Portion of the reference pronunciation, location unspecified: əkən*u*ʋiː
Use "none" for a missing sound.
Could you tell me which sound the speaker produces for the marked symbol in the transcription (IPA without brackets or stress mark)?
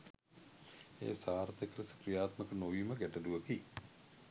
o